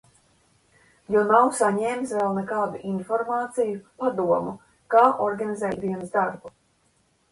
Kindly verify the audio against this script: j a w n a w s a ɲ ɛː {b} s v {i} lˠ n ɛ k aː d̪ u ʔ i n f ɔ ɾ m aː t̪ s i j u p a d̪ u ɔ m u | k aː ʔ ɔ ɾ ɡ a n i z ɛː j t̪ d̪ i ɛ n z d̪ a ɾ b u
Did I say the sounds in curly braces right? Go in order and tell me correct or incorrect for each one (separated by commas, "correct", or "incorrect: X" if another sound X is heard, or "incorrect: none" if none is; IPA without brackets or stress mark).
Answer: incorrect: m, incorrect: ɛ